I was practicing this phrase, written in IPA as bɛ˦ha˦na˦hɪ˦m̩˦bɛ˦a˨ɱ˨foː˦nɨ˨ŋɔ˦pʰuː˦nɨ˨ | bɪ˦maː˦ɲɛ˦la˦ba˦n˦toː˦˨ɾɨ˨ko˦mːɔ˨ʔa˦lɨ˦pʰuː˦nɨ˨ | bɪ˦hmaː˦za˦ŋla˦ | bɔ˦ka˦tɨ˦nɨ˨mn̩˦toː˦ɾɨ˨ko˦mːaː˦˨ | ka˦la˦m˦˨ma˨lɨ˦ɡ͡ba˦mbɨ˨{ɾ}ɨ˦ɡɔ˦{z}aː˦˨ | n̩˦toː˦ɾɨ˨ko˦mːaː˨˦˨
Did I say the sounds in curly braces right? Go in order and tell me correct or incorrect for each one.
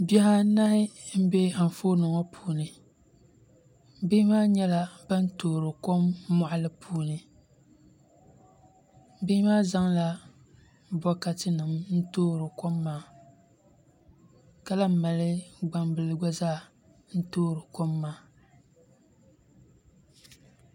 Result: incorrect: l, correct

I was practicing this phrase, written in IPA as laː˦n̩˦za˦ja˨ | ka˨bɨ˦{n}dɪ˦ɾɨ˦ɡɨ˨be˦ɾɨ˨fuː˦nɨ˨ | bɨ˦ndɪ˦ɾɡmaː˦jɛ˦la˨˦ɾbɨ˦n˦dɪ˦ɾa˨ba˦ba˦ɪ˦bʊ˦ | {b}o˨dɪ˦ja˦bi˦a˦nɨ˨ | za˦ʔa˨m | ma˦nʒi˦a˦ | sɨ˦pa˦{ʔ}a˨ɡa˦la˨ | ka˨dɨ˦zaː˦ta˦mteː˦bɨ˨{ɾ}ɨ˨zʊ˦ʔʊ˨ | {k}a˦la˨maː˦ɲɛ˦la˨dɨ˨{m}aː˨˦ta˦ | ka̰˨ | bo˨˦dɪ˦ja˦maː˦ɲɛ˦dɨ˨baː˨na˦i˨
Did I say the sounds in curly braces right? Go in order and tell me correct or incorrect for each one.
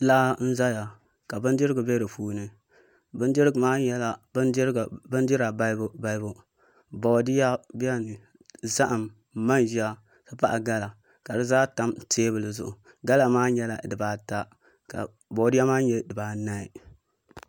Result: correct, correct, correct, incorrect: l, incorrect: ɡ, incorrect: b

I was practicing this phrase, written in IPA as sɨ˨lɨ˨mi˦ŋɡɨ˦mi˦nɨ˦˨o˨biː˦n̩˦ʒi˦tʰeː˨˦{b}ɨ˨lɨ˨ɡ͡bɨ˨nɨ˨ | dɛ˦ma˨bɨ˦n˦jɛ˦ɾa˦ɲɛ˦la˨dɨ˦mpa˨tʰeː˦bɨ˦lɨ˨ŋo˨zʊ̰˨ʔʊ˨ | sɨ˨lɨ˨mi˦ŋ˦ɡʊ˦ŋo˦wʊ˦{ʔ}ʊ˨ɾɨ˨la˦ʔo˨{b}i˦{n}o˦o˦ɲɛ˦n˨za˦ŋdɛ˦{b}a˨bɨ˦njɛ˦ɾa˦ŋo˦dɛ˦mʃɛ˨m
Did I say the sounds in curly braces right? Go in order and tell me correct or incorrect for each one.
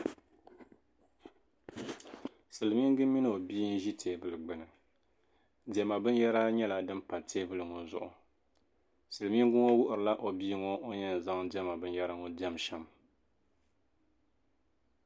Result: correct, correct, correct, incorrect: ŋ, incorrect: m

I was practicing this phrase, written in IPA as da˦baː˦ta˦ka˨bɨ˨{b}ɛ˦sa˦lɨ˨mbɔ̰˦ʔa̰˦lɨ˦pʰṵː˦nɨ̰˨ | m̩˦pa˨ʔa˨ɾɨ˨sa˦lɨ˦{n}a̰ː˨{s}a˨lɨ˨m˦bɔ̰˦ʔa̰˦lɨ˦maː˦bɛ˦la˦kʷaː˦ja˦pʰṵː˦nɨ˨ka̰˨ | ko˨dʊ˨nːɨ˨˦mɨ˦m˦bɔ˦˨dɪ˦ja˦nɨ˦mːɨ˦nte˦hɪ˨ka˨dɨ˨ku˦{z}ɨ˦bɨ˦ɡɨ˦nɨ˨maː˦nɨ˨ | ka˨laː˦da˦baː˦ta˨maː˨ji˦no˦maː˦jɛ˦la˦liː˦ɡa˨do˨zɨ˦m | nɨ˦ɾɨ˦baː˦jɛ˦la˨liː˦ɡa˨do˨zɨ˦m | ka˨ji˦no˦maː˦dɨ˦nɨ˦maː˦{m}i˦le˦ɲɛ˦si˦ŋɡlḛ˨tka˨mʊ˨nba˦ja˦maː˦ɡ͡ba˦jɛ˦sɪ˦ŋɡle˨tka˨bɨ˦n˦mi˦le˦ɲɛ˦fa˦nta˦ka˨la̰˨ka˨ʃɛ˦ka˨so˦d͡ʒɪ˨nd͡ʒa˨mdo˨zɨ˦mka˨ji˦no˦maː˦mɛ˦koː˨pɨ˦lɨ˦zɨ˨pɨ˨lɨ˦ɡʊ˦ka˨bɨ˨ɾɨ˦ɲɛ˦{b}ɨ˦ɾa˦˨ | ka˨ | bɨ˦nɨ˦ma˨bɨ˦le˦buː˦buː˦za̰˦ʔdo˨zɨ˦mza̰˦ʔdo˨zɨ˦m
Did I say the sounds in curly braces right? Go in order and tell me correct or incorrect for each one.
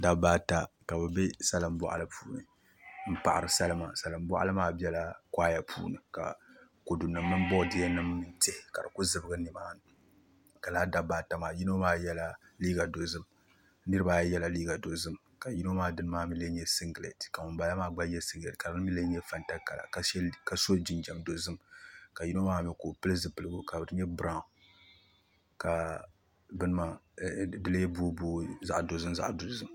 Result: correct, incorrect: m, correct, correct, correct, correct

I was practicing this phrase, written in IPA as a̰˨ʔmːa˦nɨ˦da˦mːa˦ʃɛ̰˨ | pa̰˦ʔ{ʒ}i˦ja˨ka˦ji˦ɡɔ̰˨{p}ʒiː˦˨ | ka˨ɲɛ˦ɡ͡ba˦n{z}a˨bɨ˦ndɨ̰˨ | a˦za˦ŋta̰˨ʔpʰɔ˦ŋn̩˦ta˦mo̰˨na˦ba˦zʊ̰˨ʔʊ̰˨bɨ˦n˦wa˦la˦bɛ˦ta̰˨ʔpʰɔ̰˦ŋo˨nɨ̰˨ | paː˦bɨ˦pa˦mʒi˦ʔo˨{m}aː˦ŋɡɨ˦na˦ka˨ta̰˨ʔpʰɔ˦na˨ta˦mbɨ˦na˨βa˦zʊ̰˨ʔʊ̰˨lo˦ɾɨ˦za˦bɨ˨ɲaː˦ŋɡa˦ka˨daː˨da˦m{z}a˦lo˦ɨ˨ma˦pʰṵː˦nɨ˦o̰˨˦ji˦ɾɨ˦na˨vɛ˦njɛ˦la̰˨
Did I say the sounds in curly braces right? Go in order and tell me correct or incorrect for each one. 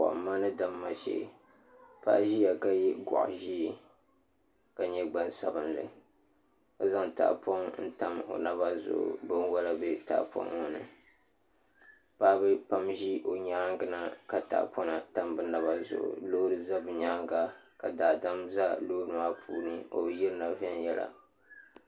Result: correct, incorrect: ʔ, incorrect: s, incorrect: ɲ, correct

